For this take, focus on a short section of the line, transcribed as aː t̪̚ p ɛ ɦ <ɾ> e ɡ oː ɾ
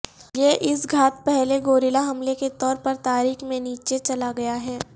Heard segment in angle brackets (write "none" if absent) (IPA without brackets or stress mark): l